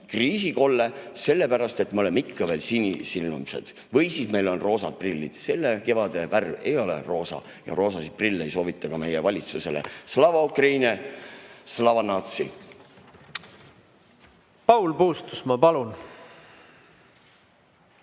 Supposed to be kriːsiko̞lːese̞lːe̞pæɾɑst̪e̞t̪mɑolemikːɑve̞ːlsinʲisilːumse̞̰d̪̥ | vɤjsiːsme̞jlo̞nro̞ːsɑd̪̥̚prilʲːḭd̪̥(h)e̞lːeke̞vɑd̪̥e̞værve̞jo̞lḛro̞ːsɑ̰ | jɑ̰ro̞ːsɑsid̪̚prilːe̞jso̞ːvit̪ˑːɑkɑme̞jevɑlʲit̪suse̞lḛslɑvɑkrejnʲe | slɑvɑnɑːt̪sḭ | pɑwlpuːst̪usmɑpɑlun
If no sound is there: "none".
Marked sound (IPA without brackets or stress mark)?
s